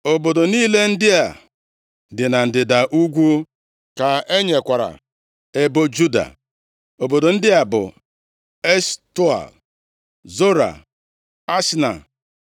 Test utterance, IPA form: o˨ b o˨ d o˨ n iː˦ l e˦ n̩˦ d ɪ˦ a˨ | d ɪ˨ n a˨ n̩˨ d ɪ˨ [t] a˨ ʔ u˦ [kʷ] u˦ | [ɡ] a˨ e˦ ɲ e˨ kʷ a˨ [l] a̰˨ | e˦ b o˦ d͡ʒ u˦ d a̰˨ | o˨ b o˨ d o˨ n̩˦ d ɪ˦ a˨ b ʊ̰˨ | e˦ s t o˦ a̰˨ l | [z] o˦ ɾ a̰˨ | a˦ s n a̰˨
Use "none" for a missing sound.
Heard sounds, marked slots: d, ɡʷ, k, ɾ, z

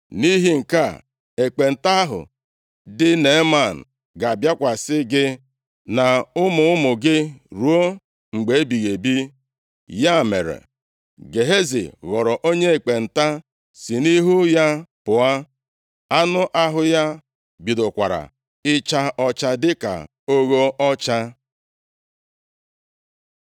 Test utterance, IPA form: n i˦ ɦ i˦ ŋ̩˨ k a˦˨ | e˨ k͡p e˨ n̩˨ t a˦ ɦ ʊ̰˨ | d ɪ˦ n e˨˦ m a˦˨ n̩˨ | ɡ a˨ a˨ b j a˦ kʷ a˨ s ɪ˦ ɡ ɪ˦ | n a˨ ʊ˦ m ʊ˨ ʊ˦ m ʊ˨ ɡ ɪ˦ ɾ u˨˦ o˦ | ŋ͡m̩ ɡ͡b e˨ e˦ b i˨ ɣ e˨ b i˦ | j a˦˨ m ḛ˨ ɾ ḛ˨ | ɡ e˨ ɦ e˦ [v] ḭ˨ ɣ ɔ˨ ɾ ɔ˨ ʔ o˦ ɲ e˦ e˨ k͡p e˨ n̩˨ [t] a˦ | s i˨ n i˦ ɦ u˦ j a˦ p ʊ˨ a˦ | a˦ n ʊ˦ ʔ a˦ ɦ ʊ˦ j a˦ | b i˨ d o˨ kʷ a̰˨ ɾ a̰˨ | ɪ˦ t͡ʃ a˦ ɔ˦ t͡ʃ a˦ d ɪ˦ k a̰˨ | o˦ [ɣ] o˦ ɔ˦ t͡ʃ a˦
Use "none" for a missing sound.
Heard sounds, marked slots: z, t, ɣ

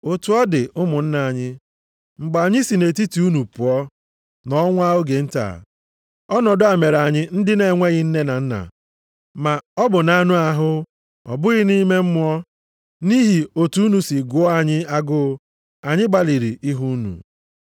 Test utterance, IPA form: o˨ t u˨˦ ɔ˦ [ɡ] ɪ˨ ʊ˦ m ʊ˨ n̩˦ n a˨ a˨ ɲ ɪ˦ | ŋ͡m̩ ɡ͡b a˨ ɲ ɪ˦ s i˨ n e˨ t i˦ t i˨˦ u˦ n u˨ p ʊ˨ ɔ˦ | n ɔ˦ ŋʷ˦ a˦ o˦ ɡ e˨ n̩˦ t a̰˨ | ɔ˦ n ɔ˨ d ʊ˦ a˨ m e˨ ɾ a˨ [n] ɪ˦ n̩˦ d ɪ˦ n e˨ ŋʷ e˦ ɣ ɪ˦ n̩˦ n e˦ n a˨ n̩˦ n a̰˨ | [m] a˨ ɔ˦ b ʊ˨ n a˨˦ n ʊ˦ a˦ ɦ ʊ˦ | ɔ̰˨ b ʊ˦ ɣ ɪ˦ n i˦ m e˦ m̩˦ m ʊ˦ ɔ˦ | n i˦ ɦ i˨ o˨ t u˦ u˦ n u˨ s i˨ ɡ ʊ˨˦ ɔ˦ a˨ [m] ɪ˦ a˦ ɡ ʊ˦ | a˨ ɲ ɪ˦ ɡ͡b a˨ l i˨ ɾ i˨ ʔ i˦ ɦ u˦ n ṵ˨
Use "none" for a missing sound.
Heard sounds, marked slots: d, ɲ, m, ɲ

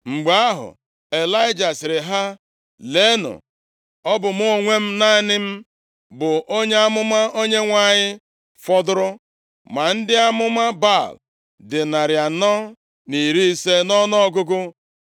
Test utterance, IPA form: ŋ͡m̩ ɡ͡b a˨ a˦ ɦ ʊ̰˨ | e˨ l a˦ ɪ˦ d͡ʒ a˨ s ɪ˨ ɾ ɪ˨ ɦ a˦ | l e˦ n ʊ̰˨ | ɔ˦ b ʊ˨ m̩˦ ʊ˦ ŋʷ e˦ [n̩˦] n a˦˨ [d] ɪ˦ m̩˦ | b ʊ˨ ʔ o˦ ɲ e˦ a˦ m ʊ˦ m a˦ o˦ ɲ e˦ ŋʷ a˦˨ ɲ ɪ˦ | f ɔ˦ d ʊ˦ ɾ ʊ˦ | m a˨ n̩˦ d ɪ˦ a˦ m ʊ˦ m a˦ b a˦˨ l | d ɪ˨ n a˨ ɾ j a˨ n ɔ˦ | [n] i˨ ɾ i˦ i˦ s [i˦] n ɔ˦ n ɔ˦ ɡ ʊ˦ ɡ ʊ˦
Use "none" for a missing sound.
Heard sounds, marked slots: m̩˦, n, n, e˦

